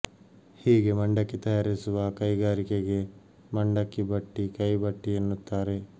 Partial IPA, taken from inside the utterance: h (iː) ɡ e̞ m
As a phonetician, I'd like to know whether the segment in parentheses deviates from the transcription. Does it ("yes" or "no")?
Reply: no